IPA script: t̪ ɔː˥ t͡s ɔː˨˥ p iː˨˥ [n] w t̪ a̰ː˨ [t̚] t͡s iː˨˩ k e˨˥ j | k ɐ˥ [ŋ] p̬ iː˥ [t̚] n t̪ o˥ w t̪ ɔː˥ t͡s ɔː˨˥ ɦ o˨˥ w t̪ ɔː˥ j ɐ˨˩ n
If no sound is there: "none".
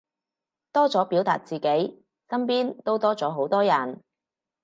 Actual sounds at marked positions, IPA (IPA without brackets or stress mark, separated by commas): none, t̚, m, none